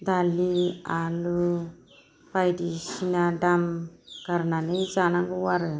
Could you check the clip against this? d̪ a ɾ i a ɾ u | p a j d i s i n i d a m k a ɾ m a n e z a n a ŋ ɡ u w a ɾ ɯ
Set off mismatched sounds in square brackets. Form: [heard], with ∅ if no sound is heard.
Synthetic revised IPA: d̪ a [l] i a [l] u | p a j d i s i n [a] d a m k a ɾ [n] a n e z a n a ŋ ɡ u w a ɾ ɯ

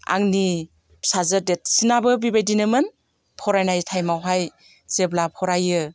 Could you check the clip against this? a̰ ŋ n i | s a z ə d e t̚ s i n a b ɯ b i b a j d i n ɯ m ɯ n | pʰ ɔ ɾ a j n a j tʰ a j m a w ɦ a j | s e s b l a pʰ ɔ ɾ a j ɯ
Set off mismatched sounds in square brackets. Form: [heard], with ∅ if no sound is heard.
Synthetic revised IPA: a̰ ŋ n i | s a z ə d e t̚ s i n a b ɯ b i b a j d i n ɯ m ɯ n | pʰ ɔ ɾ a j n a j tʰ a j m a w ɦ a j | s e [∅] b l a pʰ ɔ ɾ a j ɯ

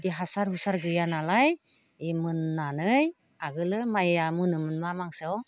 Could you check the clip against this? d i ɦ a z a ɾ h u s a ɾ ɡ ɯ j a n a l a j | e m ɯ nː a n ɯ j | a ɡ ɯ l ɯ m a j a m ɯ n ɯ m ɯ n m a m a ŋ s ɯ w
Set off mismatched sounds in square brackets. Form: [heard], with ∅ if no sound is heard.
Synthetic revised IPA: d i ɦ a [s] a ɾ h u s a ɾ ɡ ɯ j a n a l a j | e m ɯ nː a n ɯ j | a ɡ ɯ l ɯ m a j a m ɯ n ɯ m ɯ n m a m a ŋ s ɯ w

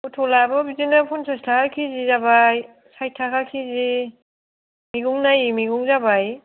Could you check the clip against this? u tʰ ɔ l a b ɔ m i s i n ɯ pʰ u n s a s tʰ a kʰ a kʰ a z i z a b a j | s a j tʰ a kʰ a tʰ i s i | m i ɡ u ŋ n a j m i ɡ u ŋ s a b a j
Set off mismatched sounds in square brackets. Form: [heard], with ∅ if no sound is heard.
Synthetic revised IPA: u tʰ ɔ l a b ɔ [b] i [z] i n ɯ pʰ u n s a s tʰ a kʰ a kʰ [i] z i z a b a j | s a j tʰ a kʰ a [kʰ] i [z] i | m i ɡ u ŋ n a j m i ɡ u ŋ [z] a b a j

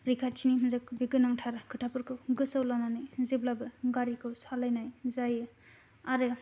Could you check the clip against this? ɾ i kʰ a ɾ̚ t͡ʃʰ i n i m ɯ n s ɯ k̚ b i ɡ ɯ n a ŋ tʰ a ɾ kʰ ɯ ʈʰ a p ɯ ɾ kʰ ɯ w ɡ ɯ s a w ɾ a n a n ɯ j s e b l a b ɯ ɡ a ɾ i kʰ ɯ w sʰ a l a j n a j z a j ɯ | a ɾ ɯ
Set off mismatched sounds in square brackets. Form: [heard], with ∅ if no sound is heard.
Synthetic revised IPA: ɾ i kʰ a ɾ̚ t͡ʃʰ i n i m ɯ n [z] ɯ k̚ b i ɡ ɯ n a ŋ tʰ a ɾ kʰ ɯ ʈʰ a p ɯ ɾ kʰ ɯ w ɡ ɯ s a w [l] a n a n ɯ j [z] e b l a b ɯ ɡ a ɾ i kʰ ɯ w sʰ a l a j n a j z a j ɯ | a ɾ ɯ

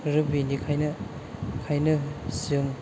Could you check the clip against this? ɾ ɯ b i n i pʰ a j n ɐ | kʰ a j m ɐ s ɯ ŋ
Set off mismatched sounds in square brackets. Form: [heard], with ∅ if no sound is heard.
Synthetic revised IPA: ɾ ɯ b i n i [kʰ] a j n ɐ | kʰ a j [n] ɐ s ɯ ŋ

